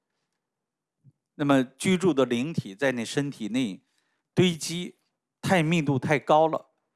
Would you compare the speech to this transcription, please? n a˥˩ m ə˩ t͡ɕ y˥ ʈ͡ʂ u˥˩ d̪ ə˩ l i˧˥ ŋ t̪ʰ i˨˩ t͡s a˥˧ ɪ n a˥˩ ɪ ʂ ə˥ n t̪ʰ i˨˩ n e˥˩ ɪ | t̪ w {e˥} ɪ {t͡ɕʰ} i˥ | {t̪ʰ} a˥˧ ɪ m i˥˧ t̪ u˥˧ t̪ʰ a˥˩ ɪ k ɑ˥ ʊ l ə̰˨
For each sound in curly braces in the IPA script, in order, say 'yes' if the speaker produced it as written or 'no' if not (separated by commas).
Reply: yes, no, yes